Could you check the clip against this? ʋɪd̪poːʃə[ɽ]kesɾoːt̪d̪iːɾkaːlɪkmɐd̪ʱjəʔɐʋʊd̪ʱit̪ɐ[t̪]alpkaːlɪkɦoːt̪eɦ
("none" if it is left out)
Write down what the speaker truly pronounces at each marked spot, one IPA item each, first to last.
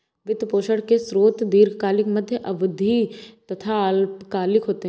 ɽ, t̪ʰ

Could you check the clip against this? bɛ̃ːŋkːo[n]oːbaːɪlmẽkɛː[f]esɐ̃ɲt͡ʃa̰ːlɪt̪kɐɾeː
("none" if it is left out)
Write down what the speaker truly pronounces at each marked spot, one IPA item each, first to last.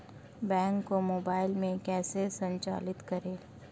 m, s

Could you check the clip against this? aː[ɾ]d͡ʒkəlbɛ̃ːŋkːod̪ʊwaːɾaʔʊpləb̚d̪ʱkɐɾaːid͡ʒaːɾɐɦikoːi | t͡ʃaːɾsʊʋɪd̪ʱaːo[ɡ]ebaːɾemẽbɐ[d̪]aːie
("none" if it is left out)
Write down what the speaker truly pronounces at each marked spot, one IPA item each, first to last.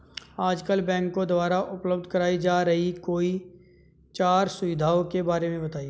none, k, t̪

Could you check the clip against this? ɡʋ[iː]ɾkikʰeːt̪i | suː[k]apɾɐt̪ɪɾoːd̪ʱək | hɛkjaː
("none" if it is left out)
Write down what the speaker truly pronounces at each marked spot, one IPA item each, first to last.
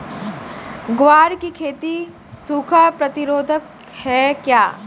aː, kʰ

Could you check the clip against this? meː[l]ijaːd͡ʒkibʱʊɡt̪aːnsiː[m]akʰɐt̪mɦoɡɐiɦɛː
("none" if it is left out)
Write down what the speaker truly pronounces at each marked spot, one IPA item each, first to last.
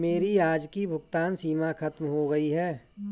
ɾ, m

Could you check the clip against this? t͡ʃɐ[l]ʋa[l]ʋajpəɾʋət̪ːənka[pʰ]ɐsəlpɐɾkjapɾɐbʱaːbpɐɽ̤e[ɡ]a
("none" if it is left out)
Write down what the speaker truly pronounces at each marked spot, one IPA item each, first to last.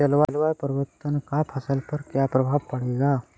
l, l, pʰ, ɡ

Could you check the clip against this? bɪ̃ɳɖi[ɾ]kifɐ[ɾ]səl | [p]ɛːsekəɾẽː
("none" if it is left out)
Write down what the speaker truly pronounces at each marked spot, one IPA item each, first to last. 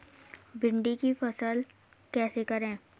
none, none, k

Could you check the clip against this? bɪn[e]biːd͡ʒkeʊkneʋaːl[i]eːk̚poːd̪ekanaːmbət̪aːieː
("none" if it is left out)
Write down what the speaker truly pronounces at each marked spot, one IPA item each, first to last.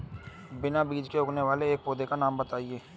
a, e

